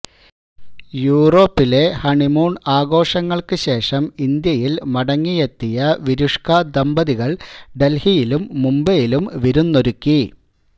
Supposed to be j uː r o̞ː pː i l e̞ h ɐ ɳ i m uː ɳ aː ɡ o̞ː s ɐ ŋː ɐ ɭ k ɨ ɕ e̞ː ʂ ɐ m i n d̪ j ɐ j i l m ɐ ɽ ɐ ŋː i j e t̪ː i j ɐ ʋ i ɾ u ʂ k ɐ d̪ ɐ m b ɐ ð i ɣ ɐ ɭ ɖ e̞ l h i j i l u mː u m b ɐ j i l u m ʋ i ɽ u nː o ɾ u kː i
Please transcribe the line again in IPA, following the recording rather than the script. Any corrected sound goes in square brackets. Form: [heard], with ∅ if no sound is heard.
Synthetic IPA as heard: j uː r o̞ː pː i l e̞ h ɐ ɳ i m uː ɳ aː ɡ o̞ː [ʂ] ɐ ŋː ɐ ɭ k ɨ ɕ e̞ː ʂ ɐ m i n d̪ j ɐ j i l m ɐ ɽ ɐ ŋː i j e t̪ː i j ɐ ʋ i ɾ u ʂ k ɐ d̪ ɐ m b ɐ ð i ɣ ɐ ɭ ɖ e̞ l h i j i l u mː u m b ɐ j i l u m ʋ i [ɾ] u nː o ɾ u kː i